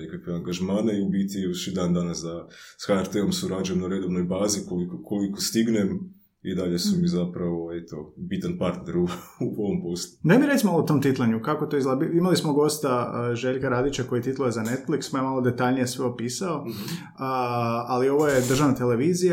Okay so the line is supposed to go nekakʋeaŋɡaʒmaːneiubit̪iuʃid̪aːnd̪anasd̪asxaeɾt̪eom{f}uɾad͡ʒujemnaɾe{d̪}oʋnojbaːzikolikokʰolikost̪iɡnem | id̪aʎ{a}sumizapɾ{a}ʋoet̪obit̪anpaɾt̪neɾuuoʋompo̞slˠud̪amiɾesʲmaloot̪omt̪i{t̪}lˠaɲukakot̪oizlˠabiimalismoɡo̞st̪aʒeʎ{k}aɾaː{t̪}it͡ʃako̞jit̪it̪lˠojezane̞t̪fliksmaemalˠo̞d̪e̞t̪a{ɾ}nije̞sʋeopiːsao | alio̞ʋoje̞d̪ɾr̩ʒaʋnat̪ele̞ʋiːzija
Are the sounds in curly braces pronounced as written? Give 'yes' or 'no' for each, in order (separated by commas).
no, yes, no, yes, yes, yes, no, no